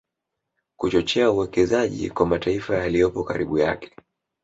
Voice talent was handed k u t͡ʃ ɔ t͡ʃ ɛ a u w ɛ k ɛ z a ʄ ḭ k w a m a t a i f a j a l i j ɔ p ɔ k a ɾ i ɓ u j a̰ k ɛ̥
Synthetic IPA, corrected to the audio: k u t͡ʃ ɔ t͡ʃ ɛ a u w ɛ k ɛ z a ʄ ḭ k w a m a t a i f a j a l i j ɔ p ɔ k a ɾ i ɓ u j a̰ k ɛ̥